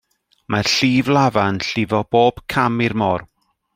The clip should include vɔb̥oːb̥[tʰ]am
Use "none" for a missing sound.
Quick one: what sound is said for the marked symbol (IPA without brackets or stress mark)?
kʰ